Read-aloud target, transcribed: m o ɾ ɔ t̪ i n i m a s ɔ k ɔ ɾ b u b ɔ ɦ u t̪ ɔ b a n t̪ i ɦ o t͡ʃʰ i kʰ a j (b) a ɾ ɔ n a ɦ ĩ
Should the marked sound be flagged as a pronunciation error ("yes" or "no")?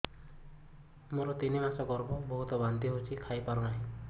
yes